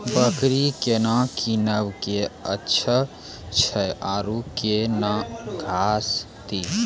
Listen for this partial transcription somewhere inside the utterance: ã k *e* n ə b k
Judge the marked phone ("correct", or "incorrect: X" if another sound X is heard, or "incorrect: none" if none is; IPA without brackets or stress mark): incorrect: i